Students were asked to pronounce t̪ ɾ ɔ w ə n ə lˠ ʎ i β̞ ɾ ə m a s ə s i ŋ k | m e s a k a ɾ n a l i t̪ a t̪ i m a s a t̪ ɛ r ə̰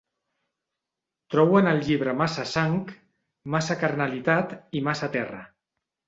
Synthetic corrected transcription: t̪ ɾ ɔ w ə n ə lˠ ʎ i β̞ ɾ ə m a s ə s a ŋ k | m a s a k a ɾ n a l i t̪ a t̪ i m a s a t̪ ɛ r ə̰